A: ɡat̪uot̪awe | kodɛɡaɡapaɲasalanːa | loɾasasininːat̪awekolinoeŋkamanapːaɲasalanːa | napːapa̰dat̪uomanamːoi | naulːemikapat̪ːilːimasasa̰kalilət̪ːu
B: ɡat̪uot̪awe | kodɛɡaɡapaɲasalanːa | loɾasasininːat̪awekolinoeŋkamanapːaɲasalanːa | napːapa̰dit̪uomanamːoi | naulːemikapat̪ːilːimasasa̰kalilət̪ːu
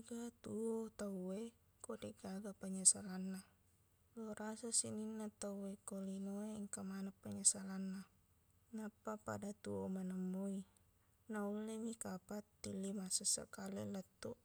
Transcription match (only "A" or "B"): A